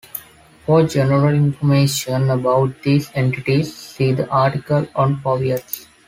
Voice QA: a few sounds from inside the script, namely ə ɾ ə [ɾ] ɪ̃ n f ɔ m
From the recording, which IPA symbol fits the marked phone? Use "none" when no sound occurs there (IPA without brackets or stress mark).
l